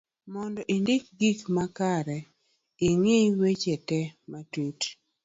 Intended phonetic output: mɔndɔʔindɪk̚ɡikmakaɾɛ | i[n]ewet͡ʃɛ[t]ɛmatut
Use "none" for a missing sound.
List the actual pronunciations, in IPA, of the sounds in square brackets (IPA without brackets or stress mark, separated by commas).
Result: ŋ, t